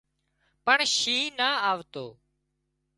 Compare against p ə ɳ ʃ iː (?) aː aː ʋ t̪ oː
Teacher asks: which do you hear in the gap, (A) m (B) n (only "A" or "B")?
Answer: B